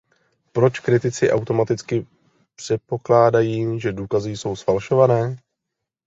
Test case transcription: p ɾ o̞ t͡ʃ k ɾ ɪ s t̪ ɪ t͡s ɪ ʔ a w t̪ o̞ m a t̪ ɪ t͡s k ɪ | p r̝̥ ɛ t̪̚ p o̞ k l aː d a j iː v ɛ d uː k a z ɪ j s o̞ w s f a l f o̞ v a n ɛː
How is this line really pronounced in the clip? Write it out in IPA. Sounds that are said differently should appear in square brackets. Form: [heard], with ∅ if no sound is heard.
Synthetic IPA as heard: p ɾ o̞ t͡ʃ k ɾ ɪ [∅] t̪ ɪ t͡s ɪ ʔ a w t̪ o̞ m a t̪ ɪ t͡s k ɪ | p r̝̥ ɛ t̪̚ p o̞ k l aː d a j iː [ʒ] ɛ d uː k a z ɪ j s o̞ w s f a l [ʃ] o̞ v a n ɛː